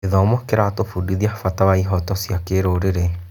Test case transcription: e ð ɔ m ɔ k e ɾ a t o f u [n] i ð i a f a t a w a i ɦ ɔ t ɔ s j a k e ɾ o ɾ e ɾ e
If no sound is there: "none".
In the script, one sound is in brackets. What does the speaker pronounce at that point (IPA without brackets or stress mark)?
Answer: d